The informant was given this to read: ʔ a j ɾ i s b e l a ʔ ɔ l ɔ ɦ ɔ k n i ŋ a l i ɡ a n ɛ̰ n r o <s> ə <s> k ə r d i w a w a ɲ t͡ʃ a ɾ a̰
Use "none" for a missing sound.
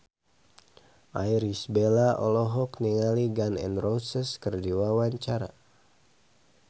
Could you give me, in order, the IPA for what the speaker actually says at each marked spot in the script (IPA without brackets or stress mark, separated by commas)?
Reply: s, s